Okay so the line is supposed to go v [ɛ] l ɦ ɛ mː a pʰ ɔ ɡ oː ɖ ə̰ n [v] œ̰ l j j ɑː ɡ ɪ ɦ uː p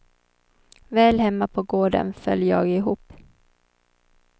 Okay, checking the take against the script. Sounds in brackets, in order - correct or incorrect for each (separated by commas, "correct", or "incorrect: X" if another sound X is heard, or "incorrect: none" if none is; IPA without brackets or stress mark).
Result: incorrect: ɛː, incorrect: f